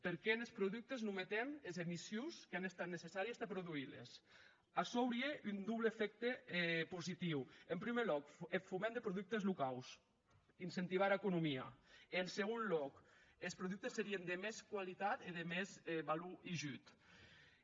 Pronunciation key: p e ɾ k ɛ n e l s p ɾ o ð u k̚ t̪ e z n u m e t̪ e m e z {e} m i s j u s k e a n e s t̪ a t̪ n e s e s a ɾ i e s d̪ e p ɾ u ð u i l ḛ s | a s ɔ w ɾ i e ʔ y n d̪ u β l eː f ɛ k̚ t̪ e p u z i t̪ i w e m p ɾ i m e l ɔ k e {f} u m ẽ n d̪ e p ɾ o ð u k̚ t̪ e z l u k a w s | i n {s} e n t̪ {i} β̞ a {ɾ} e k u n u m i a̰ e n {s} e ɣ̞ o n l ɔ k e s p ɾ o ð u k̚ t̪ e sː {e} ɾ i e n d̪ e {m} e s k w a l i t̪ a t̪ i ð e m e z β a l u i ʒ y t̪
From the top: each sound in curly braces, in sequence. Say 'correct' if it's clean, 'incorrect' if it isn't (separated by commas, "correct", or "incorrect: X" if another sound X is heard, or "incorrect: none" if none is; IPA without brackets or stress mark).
correct, correct, correct, correct, correct, correct, correct, correct